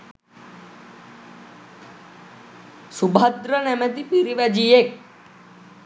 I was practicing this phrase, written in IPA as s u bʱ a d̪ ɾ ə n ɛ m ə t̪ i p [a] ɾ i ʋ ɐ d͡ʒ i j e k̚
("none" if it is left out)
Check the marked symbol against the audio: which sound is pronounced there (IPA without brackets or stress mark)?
i